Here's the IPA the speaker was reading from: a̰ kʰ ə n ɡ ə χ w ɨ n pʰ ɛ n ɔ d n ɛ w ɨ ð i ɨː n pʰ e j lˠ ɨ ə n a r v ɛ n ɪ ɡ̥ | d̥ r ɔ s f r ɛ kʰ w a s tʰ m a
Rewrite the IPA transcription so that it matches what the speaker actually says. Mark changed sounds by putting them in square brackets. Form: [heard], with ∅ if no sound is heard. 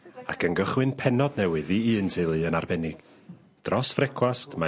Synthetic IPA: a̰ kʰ ə n ɡ ə χ w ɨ n pʰ ɛ n ɔ d n ɛ w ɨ ð i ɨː n [tʰ] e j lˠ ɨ ə n a r [b] ɛ n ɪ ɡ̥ | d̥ r ɔ s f r ɛ kʰ w a s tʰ m a